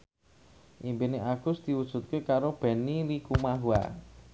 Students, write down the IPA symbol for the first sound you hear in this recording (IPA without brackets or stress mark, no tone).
ʔ